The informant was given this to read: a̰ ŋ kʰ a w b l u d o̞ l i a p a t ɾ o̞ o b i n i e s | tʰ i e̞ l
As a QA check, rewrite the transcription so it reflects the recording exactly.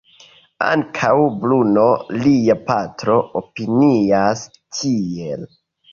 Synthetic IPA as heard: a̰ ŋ kʰ a w b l u n o̞ l i a p a t ɾ o̞ o p i n i a s | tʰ i e̞ l